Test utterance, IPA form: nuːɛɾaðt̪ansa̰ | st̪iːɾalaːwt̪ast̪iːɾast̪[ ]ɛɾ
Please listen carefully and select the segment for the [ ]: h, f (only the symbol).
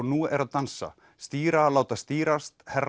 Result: h